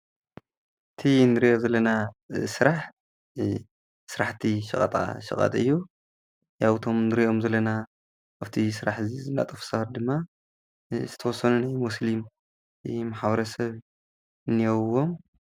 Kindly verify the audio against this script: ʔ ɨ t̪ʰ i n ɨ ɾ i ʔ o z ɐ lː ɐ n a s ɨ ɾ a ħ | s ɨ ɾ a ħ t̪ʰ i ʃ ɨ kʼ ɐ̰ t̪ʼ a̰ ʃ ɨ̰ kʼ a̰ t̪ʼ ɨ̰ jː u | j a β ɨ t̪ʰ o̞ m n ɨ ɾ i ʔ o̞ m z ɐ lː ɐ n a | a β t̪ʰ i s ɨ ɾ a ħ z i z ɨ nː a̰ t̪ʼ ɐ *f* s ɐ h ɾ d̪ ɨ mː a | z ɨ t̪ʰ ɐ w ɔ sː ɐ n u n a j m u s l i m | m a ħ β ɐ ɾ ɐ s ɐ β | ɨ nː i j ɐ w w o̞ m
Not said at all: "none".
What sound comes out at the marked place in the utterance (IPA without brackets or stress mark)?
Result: f